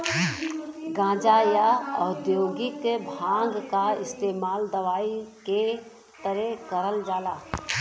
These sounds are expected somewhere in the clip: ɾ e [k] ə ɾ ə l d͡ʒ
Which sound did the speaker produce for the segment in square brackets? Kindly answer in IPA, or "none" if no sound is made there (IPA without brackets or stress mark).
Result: k